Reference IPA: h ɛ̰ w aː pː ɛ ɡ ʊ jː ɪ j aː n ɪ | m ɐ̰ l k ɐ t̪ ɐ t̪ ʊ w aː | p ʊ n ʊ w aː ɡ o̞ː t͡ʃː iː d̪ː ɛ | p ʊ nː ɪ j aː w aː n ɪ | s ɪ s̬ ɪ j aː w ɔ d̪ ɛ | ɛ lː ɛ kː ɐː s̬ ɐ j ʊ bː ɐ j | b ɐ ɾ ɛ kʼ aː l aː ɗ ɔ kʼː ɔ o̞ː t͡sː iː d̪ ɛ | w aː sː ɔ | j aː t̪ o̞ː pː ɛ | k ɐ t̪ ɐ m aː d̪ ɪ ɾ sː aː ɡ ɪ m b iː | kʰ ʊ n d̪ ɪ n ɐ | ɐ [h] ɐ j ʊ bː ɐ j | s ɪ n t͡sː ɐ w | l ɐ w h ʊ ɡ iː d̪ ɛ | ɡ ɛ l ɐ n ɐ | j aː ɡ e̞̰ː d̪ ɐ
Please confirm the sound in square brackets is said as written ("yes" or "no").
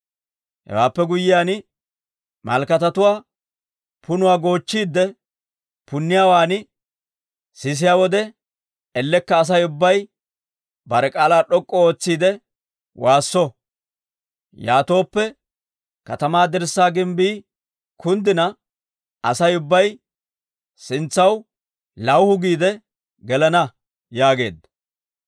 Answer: no